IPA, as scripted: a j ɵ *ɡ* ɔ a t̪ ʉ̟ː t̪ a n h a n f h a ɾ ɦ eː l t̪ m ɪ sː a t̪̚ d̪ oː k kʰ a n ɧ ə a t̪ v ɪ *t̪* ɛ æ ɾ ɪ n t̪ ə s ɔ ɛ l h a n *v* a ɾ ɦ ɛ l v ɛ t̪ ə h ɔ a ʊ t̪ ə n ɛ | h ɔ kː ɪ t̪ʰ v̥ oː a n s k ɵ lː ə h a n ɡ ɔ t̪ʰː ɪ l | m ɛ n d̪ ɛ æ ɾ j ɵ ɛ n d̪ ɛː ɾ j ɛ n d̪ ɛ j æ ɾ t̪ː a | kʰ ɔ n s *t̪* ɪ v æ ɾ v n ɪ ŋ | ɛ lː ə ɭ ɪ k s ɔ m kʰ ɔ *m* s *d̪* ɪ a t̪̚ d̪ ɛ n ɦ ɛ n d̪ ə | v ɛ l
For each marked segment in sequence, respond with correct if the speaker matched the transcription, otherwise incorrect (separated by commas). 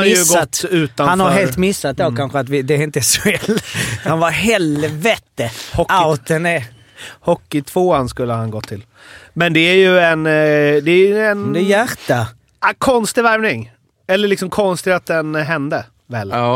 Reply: correct, incorrect, correct, correct, incorrect, incorrect